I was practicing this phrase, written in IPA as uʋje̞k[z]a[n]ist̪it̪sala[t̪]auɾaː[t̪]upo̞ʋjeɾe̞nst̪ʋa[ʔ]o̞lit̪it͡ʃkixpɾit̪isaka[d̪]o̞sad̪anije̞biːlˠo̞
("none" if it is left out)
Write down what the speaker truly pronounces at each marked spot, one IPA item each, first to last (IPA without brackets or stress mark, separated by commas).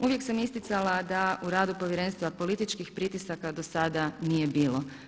s, m, d̪, d̪, p, d̪